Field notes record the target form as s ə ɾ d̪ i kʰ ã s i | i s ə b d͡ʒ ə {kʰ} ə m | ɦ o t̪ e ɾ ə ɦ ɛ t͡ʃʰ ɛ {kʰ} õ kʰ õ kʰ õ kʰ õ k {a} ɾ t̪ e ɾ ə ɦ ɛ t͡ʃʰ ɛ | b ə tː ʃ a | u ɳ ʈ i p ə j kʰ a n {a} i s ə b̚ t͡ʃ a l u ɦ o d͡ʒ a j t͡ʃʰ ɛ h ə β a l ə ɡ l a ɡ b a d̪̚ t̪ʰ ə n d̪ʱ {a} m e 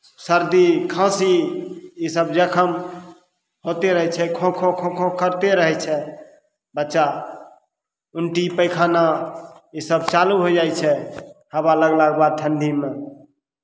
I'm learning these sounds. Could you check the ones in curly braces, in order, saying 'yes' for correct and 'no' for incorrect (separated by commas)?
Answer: yes, yes, no, yes, no